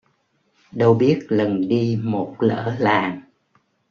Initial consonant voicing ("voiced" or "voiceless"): voiced